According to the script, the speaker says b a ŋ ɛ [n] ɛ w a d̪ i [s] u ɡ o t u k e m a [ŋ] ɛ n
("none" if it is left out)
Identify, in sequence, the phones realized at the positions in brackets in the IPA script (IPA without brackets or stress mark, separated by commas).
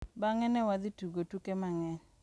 n, t, ŋ